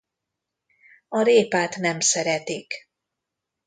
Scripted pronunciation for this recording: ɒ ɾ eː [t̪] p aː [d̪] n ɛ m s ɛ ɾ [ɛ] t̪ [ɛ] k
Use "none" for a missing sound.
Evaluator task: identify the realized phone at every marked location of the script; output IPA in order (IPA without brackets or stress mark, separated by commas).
none, t̪, ɛ, i